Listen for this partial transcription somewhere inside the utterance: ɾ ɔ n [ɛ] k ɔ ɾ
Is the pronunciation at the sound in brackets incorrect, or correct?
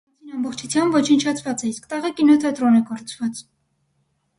correct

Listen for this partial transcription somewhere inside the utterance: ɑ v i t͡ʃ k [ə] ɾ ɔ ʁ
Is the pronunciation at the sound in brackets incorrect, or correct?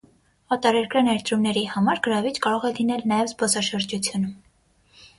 incorrect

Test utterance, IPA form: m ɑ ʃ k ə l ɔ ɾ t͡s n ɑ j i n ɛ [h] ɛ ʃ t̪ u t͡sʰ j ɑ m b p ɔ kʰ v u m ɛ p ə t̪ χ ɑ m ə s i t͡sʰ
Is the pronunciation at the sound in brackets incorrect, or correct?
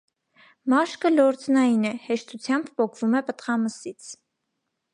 correct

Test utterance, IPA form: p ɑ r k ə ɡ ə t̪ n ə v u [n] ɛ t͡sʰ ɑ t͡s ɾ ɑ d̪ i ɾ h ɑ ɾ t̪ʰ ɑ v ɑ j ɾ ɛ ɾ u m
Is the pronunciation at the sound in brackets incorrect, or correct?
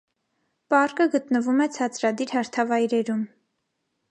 incorrect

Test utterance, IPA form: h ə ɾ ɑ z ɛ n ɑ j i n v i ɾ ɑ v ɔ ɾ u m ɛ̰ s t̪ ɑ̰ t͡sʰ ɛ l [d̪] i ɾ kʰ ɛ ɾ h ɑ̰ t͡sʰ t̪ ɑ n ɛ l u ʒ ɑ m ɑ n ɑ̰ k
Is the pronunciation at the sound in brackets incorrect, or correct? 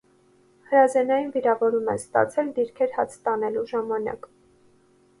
correct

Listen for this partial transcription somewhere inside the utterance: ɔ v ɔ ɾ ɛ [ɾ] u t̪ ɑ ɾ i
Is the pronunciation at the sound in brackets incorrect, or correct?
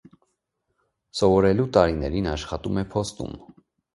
incorrect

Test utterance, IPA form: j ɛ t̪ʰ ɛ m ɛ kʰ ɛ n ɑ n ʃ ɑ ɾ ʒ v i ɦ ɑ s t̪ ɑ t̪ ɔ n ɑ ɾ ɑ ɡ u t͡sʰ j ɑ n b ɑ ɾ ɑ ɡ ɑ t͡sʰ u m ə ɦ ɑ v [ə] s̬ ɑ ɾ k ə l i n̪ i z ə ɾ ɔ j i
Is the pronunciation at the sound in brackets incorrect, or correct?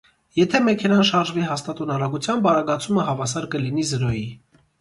incorrect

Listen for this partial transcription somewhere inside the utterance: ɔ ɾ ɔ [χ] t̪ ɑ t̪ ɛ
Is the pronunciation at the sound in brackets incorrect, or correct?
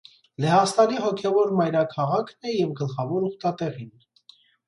correct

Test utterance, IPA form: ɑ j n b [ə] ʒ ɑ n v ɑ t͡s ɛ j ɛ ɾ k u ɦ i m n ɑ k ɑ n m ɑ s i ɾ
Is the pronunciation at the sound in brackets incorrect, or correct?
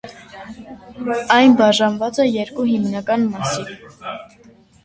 incorrect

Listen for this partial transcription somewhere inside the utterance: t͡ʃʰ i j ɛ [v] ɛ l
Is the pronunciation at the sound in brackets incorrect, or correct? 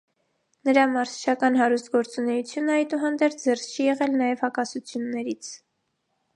incorrect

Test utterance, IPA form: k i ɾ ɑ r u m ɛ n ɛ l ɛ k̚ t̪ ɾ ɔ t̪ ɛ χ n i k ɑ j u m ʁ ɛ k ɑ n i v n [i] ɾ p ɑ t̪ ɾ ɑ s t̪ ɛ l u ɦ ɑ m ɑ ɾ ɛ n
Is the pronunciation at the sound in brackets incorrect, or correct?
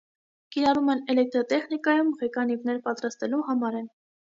incorrect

